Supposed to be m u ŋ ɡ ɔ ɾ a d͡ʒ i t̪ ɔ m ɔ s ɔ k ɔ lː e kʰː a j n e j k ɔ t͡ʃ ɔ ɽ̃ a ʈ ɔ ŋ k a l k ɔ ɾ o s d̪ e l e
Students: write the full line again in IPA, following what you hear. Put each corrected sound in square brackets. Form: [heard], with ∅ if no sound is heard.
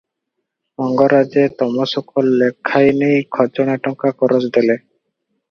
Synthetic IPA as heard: m [ɔ] ŋ ɡ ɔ ɾ a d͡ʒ [e] t̪ ɔ m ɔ s ɔ k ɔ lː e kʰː a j n e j [kʰ] ɔ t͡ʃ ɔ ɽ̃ a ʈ ɔ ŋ k a [∅] k ɔ ɾ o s d̪ e l e